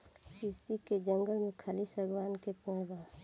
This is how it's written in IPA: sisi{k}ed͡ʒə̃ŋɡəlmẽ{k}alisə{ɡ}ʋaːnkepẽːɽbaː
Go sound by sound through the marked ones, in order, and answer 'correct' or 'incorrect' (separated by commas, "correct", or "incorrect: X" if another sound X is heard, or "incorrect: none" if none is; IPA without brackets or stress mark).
correct, incorrect: kʰ, correct